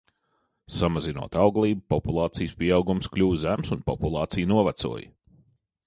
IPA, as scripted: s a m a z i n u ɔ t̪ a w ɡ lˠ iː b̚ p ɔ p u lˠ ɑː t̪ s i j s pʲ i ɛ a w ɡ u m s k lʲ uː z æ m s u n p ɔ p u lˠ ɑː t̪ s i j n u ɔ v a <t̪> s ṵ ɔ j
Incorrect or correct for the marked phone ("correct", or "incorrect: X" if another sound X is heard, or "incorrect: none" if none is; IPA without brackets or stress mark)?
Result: correct